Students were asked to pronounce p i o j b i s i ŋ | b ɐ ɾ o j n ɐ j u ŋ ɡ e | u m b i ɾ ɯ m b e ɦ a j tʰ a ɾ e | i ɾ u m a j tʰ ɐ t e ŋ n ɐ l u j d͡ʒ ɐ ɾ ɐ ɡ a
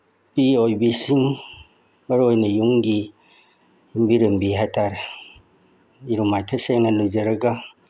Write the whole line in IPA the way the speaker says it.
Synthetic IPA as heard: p i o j b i s i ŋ | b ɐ ɾ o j n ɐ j u ŋ ɡ i | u m b i ɾ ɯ m b i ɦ a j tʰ a ɾ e | i ɾ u m a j tʰ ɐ s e ŋ n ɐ l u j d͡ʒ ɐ ɾ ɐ ɡ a